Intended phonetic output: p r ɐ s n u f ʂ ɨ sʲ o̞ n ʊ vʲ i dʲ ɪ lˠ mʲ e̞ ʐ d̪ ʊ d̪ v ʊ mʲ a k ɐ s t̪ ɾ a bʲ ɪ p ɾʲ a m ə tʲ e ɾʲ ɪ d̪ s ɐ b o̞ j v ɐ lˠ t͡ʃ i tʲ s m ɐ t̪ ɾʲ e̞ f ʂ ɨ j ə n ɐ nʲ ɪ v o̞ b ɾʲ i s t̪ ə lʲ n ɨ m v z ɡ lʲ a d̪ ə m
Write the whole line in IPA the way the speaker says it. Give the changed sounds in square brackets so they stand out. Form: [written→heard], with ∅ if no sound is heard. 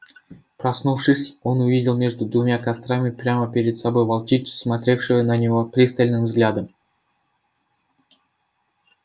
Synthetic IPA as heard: p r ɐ s n u f ʂ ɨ sʲ o̞ n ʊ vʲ i dʲ ɪ lˠ mʲ e̞ ʐ d̪ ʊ d̪ v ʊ mʲ a k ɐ s t̪ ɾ a [bʲ→mʲ] ɪ p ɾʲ a m ə [tʲ→pʲ] e ɾʲ ɪ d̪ s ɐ b o̞ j v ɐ lˠ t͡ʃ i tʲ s m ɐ t̪ ɾʲ e̞ f ʂ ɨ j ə n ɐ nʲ ɪ v o̞ [b→p] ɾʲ i s t̪ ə lʲ n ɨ m v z ɡ lʲ a d̪ ə m